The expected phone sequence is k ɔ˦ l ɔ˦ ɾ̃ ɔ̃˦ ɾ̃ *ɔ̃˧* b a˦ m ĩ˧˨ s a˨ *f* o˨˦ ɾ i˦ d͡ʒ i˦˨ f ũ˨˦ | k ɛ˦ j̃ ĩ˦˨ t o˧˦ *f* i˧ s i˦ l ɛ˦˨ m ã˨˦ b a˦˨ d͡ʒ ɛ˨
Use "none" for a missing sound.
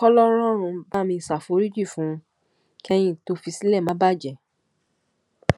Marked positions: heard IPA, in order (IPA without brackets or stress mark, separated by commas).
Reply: ũ˧, f, f